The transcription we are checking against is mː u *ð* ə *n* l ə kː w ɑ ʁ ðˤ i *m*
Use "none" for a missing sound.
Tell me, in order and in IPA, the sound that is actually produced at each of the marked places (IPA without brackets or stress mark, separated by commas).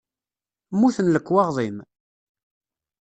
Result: θ, n, m